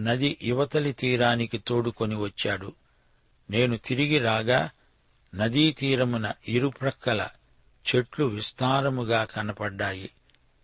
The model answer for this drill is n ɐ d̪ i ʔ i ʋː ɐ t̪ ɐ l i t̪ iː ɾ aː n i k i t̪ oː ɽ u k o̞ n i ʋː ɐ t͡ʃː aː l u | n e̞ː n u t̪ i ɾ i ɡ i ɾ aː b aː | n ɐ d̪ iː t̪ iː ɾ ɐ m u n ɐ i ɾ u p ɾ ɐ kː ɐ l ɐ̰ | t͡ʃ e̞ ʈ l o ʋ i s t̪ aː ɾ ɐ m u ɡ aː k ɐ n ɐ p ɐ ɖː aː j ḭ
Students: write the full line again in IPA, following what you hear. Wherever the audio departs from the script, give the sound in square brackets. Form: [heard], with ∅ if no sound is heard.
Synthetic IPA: n ɐ d̪ i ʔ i [ʋ] ɐ t̪ ɐ l i t̪ iː ɾ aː n i k i t̪ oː ɽ u k o̞ n i [ʋ] ɐ t͡ʃː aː [ɽ] u | n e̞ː n u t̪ i ɾ i ɡ i ɾ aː [ɡ] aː | n ɐ d̪ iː t̪ iː ɾ ɐ m u n ɐ i ɾ u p ɾ ɐ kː ɐ l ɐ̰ | t͡ʃ e̞ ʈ l [u] ʋ i s t̪ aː ɾ ɐ m u ɡ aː k ɐ n ɐ p ɐ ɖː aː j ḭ